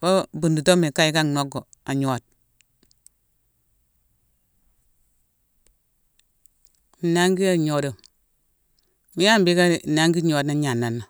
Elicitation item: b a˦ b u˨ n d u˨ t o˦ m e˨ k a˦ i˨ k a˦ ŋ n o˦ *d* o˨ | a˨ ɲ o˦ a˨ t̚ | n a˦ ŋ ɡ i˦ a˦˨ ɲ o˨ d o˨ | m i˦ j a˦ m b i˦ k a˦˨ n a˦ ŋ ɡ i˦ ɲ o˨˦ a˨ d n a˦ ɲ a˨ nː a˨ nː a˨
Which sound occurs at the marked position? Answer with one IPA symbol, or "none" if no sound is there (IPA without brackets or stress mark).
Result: ɡ